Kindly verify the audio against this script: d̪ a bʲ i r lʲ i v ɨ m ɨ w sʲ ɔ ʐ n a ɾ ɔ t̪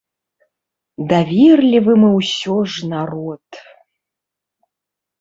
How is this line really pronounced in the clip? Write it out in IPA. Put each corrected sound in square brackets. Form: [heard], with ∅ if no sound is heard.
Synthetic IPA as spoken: d̪ a [vʲ] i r lʲ i v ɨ m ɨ w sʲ ɔ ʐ n a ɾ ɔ t̪